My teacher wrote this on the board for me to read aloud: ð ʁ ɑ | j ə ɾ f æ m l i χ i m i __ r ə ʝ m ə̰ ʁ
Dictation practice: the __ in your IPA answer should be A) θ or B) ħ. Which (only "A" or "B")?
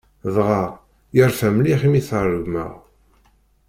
A